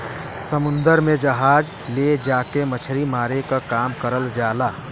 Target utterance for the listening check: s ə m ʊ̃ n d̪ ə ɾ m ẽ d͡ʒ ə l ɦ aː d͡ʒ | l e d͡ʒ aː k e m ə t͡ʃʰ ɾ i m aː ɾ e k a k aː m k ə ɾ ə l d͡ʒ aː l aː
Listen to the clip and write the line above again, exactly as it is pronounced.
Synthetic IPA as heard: s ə m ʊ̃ n d̪ ə ɾ m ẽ d͡ʒ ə ɦ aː d͡ʒ | l e d͡ʒ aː k e m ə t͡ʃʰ ɾ i m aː ɾ e k a k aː m k ə ɾ ə l d͡ʒ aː l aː